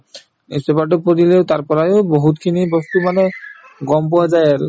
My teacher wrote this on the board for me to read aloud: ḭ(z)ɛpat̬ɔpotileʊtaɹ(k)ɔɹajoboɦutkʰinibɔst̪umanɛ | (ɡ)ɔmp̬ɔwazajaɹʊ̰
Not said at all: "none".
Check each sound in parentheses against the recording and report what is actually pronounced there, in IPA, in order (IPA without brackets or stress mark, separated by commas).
s, p, ɡ